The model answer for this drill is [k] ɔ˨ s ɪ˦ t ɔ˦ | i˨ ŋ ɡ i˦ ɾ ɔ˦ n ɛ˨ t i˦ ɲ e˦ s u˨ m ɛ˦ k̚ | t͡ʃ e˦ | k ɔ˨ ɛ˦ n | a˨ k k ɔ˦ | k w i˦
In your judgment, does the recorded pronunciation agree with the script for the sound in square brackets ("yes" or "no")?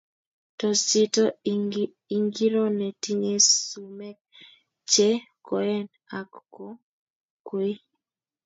no